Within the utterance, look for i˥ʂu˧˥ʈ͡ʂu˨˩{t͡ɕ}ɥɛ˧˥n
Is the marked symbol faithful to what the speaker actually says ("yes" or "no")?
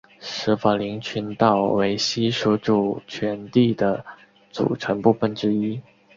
no